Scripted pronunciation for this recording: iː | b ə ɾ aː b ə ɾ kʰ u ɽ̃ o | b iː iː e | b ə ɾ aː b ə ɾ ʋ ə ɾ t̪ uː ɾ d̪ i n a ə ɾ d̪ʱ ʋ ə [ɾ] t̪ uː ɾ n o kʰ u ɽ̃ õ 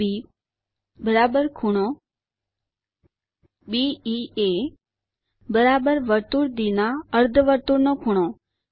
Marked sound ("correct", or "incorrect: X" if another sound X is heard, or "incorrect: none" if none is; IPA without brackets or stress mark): correct